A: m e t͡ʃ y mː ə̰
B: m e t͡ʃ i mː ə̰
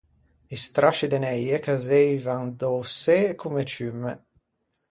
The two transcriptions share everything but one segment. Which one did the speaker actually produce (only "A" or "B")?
A